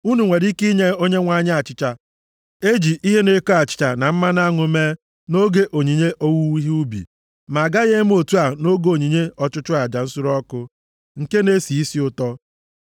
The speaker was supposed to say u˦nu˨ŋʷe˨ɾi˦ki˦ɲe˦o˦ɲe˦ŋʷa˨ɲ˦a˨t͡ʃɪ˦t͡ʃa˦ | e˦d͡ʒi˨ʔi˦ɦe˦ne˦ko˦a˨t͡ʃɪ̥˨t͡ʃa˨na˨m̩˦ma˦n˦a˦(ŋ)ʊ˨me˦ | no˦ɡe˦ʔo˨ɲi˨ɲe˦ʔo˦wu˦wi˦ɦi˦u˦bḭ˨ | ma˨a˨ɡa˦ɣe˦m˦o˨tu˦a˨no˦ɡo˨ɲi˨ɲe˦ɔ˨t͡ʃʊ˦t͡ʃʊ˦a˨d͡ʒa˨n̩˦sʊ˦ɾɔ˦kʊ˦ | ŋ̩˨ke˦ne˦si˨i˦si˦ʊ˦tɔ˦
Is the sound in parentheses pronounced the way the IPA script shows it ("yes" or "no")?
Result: yes